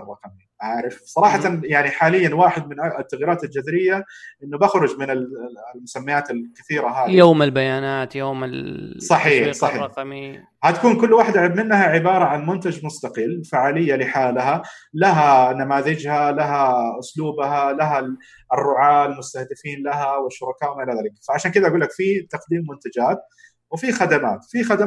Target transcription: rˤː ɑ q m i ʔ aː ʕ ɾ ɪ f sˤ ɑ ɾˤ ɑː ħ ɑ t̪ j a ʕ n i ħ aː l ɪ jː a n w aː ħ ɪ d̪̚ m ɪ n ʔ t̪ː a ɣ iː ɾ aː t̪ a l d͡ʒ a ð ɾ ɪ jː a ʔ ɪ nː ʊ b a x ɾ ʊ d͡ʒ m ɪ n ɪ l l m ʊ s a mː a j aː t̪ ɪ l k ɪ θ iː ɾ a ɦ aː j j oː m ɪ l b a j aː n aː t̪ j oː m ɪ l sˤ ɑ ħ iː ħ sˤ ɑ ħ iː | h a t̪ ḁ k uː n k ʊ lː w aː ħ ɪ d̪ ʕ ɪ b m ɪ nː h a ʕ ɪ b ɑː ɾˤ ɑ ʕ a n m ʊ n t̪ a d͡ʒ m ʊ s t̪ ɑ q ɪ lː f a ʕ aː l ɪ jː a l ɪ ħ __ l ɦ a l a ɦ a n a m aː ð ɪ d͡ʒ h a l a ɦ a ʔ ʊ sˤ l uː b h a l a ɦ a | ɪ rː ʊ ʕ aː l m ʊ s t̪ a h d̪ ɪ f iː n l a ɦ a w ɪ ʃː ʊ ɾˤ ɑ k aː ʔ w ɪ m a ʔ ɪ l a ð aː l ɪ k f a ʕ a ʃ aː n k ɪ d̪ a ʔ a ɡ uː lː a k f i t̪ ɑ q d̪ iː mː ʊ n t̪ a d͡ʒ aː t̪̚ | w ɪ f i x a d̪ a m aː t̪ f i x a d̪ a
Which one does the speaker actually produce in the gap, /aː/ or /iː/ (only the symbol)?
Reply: aː